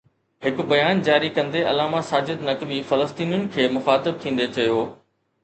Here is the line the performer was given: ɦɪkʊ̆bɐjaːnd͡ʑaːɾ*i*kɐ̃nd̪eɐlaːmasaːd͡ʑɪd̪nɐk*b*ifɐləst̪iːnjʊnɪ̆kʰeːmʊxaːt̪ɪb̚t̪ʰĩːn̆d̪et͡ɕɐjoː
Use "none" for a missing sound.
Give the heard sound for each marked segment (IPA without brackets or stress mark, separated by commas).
i, b